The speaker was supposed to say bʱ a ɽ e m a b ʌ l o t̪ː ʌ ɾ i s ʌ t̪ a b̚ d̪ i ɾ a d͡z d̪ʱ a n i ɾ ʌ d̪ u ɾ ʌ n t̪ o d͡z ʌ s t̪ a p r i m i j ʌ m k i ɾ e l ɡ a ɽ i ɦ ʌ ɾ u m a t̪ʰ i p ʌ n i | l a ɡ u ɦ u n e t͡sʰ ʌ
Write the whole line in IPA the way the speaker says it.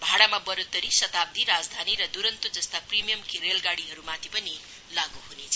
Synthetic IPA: bʱ a ɽ a m a b ʌ ɾ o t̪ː ʌ ɾ i s ʌ t̪ a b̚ d̪ i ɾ a d͡z d̪ʱ a n i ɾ ʌ d̪ u ɾ ʌ n t̪ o d͡z ʌ s t̪ a p r i m i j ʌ m k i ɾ e l ɡ a ɽ i ɦ ʌ ɾ u m a t̪ʰ i p ʌ n i | l a ɡ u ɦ u n e t͡sʰ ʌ